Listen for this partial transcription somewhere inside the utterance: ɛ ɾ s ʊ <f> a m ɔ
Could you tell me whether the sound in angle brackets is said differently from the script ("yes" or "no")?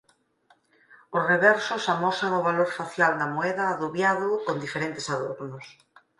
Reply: yes